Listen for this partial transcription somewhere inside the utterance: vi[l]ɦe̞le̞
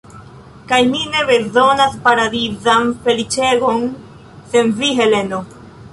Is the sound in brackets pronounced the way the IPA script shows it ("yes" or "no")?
no